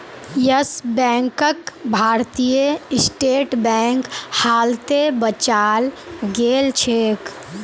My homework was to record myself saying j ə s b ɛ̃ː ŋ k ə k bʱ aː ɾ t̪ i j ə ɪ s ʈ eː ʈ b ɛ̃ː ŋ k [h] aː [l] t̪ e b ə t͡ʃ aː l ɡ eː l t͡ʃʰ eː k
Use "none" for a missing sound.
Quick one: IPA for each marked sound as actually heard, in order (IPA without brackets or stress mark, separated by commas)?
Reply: h, l